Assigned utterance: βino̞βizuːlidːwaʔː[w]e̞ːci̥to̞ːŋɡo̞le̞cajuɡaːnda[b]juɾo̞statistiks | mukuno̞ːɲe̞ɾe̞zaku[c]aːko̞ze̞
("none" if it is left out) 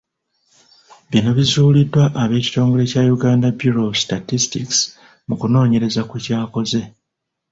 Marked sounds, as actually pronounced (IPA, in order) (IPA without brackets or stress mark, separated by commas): β, b, c